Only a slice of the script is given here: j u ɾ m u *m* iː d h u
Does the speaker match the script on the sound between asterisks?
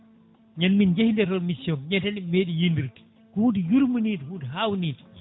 no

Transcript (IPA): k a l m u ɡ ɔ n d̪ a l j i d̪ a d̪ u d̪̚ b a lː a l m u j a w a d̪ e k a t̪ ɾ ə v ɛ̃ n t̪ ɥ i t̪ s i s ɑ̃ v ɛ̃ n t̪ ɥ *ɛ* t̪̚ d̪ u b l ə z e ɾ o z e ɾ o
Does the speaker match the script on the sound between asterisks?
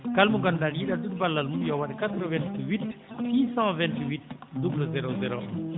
no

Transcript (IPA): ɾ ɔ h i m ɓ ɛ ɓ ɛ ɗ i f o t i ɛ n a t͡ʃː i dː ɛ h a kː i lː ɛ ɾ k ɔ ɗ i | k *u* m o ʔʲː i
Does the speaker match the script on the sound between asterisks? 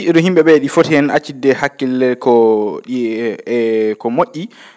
no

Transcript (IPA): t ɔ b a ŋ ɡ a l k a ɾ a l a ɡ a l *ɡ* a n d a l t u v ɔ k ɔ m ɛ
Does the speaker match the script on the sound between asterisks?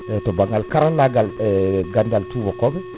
yes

